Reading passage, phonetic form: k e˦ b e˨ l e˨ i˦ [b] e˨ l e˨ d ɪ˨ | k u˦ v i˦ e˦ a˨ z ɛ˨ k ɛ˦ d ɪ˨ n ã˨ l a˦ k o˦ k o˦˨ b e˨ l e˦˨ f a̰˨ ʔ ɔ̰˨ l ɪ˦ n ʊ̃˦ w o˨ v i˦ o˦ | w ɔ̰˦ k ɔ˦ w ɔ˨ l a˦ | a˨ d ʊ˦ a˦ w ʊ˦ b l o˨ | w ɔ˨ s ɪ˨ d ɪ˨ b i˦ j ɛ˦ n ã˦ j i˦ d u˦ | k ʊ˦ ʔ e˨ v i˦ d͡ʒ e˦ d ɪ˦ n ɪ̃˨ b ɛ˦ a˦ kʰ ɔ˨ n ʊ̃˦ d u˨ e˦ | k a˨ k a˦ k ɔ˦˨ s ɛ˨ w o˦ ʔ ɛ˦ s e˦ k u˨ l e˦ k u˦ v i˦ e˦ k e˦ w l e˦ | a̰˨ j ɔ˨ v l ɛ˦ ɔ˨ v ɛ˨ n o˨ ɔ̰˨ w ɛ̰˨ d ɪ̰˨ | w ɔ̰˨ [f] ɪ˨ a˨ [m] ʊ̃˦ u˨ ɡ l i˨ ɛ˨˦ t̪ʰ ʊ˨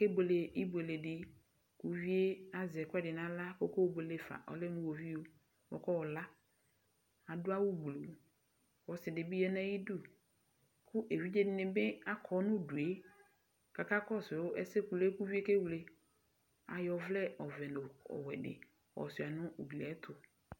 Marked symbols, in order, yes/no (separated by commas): yes, no, no